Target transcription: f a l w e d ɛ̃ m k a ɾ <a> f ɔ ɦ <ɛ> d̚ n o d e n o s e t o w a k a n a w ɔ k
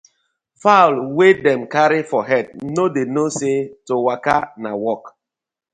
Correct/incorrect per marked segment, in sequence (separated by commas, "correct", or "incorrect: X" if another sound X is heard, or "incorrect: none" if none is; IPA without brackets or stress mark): incorrect: i, correct